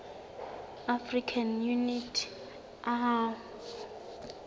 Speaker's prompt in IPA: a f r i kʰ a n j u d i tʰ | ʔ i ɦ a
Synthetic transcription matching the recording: a f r i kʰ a n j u n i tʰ | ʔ a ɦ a